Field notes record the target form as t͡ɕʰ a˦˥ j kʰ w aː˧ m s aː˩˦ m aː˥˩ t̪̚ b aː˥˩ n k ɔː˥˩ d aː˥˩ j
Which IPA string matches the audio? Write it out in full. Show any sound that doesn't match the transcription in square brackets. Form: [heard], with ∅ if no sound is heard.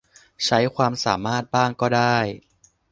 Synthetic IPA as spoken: t͡ɕʰ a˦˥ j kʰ w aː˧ m s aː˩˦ m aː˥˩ t̪̚ b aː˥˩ [ŋ] k ɔː˥˩ d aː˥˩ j